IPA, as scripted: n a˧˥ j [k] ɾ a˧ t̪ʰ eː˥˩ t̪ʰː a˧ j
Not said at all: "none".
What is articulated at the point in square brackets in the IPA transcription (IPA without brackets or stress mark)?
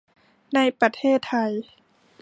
p